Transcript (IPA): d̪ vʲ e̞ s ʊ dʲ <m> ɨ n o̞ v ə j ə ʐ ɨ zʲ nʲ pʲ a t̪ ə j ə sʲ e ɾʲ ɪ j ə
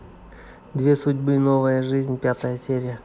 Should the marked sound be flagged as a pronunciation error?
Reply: yes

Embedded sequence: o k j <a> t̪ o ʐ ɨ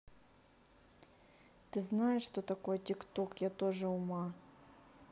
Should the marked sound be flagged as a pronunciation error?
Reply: no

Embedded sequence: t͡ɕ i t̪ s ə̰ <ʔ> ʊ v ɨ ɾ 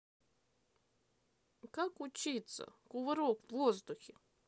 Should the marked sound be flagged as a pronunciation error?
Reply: yes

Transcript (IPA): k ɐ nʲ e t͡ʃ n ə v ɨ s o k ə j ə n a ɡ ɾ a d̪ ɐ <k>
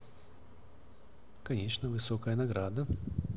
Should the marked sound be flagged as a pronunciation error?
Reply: yes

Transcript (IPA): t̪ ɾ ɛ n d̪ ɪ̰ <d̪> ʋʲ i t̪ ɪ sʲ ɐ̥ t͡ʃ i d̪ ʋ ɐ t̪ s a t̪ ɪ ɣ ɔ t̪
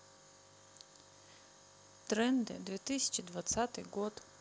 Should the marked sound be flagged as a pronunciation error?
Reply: no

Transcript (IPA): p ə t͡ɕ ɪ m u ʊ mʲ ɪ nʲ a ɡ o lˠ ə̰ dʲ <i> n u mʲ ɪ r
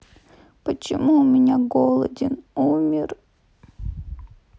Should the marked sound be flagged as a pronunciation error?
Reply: yes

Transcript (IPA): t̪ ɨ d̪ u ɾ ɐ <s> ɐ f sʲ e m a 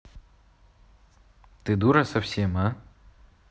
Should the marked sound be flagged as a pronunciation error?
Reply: no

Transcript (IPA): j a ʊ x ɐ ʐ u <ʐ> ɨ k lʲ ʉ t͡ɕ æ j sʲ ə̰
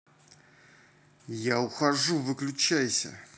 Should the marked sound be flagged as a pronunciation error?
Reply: yes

